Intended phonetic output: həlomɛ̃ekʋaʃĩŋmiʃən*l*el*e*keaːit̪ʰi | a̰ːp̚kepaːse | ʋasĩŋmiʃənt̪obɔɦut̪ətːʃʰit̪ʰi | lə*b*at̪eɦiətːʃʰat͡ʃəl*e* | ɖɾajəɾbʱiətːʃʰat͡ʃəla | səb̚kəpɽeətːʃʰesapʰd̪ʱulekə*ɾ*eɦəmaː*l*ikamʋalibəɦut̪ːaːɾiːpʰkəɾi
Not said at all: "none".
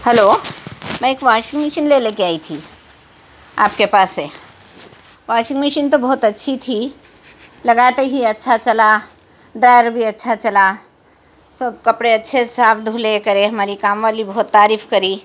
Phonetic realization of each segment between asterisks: l, e, ɡ, a, ɾ, ɾ

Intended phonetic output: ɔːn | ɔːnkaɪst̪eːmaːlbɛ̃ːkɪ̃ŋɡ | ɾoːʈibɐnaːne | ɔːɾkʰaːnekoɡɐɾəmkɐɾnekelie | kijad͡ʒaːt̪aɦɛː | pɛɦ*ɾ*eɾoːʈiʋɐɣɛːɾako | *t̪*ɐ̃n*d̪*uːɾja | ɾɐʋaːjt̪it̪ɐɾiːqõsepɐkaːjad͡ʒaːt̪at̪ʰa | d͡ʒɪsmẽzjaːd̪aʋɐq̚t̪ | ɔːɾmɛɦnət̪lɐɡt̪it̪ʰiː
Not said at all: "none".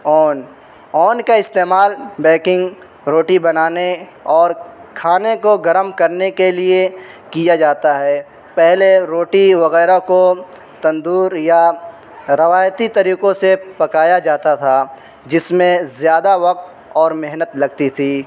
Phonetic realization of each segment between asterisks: l, t̪, d̪

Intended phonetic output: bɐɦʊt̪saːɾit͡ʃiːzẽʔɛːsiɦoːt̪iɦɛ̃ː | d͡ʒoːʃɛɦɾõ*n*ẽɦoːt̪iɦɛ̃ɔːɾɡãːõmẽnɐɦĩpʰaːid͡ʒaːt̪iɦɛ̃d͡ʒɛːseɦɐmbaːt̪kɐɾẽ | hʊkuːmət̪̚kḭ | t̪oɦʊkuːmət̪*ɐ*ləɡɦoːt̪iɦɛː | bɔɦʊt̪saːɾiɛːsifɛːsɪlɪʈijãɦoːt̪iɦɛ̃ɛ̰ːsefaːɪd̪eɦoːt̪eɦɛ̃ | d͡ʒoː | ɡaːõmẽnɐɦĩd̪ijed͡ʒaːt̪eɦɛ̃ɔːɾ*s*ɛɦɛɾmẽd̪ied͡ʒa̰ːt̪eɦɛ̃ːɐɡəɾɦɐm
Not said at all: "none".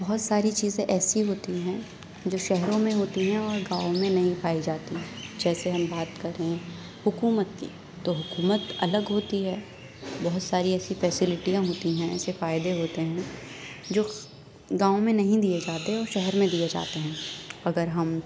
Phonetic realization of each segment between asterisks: m, ɐ, ʃ

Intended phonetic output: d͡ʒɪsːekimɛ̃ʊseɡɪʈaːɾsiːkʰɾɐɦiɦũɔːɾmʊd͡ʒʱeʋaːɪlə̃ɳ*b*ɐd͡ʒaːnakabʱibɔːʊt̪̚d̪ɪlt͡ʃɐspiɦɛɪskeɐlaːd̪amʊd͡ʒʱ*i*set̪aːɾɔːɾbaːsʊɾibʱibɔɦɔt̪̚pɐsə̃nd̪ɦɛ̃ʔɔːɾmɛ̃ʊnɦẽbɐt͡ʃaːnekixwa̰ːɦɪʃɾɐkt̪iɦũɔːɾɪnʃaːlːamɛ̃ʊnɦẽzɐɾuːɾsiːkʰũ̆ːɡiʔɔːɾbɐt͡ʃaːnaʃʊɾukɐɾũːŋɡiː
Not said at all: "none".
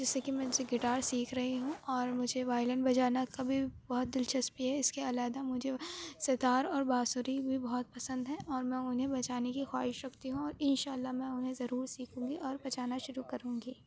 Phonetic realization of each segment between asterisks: b, e

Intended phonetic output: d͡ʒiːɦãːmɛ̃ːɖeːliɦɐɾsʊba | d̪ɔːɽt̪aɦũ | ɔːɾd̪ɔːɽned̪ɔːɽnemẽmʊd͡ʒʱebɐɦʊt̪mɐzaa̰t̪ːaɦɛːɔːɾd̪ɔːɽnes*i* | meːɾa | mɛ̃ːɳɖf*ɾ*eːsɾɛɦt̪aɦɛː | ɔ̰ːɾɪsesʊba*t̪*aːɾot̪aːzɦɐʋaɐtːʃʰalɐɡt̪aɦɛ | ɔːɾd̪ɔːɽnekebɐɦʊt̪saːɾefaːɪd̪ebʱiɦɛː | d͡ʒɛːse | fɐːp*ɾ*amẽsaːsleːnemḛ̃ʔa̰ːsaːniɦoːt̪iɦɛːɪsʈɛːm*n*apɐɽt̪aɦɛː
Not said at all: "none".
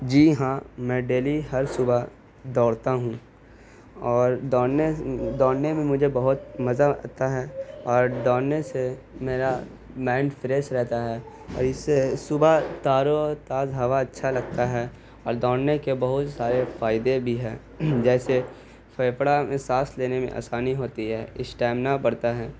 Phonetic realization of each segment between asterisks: e, ɾ, t̪, ɽ, n

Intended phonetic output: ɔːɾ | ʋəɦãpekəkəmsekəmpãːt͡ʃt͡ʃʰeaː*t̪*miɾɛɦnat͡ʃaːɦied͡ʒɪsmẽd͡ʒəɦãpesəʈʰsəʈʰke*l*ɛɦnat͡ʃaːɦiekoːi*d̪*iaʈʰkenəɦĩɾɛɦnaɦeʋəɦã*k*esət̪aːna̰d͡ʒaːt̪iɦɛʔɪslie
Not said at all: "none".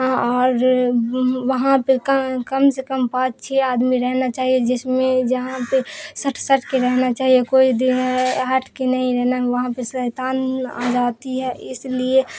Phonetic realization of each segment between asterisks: d̪, ɾ, d̪, p

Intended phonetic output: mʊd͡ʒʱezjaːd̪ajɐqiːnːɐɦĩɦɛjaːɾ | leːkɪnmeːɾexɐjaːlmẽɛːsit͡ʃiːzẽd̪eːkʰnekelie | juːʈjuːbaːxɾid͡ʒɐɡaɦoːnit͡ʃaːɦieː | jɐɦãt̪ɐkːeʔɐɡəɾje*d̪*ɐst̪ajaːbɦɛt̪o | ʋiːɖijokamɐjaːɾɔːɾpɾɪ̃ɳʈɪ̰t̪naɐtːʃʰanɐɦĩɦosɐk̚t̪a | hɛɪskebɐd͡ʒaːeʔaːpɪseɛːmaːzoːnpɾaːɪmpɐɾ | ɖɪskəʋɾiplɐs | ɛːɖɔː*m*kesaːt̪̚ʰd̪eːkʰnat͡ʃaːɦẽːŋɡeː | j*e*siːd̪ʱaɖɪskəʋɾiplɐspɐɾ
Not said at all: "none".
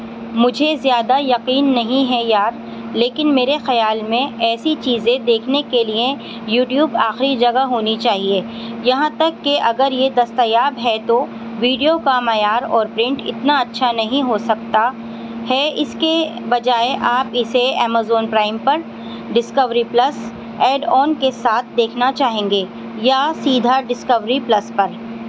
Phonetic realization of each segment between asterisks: d̪, n, a

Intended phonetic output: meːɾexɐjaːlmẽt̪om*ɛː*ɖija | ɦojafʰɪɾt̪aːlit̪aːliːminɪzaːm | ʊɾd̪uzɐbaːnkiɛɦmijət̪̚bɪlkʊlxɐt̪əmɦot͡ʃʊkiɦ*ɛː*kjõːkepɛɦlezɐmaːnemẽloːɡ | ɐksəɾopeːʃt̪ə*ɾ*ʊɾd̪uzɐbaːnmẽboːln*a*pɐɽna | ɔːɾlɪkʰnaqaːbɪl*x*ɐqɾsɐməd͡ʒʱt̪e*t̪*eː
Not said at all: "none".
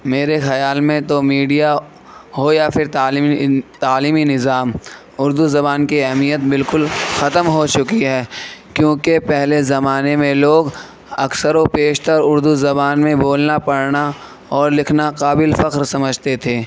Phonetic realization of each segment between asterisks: iː, ɛː, ɾ, a, f, t̪ʰ

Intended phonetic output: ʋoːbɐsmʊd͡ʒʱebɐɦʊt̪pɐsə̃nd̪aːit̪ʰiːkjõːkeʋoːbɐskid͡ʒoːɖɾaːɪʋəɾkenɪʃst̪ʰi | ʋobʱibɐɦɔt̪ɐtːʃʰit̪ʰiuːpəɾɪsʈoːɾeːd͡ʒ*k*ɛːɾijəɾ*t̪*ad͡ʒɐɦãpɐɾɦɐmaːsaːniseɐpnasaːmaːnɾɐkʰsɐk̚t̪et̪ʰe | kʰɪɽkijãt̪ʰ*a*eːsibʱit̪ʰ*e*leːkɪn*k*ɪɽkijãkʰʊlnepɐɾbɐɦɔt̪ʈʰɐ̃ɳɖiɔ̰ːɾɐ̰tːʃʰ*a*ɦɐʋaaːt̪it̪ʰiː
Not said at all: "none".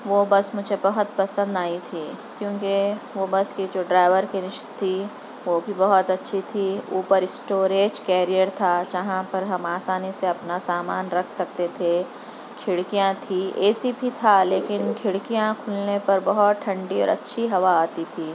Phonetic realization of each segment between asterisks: k, t̪ʰ, i, a, kʰ, i

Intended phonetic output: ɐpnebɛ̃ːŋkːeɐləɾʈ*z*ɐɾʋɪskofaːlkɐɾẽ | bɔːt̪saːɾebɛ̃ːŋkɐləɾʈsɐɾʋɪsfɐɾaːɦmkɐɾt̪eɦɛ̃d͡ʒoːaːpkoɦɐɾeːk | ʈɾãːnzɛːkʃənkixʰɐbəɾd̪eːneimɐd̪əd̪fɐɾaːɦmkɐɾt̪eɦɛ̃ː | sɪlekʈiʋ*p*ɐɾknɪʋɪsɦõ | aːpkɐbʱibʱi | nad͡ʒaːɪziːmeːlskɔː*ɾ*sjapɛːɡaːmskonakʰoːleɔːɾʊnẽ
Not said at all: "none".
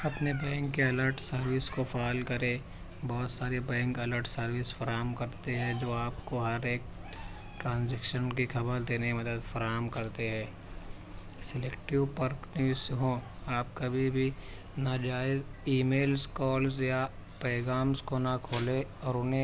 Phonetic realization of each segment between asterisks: s, p, l

